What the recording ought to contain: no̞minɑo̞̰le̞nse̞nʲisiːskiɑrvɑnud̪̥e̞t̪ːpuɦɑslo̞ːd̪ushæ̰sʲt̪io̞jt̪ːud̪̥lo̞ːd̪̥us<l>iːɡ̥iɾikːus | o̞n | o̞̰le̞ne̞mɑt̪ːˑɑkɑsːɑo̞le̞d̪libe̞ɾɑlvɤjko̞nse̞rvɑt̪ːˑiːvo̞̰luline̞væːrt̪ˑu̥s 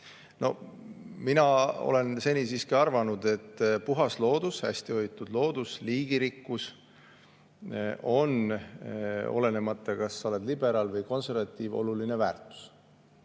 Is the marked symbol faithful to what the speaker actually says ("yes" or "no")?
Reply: yes